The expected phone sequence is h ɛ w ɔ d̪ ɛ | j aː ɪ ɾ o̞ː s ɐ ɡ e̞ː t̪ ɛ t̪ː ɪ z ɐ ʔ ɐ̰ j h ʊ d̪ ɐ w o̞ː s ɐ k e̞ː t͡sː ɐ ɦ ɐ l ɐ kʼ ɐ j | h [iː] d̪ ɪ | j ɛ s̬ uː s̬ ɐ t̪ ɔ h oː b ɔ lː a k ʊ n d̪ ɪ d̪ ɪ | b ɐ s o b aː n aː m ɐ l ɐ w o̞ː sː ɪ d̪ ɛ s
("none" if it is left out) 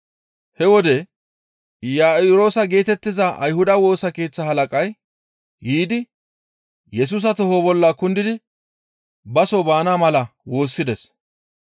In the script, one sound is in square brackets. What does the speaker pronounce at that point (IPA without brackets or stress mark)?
iː